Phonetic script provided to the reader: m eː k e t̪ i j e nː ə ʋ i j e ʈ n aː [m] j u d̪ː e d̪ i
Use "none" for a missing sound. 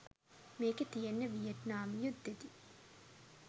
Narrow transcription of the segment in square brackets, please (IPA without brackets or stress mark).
m